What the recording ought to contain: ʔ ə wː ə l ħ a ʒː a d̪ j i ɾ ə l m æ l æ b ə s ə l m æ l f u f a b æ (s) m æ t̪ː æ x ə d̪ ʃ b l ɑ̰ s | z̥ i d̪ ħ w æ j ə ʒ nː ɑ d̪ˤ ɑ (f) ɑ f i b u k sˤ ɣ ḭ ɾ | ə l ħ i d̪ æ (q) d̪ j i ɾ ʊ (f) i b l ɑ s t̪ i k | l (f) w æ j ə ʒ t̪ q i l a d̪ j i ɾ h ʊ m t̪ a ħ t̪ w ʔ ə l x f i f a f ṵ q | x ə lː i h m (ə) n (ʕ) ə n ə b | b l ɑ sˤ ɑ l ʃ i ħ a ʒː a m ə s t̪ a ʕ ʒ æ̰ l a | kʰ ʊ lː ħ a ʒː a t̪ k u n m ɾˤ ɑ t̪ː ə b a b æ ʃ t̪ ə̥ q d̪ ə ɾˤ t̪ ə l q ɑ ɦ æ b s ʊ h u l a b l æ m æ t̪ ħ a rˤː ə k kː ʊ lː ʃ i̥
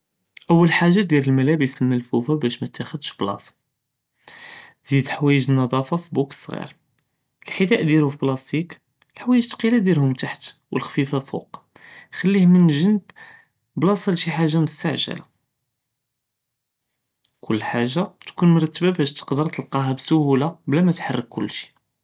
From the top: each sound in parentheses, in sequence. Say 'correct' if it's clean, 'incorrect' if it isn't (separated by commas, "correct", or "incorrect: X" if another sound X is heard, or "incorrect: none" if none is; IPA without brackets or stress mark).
incorrect: ʃ, correct, incorrect: ʔ, correct, incorrect: ħ, correct, incorrect: ʒ